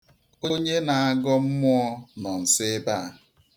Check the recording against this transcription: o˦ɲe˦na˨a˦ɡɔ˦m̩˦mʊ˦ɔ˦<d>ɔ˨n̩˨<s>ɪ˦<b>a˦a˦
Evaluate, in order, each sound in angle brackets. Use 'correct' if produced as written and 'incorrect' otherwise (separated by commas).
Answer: incorrect, correct, correct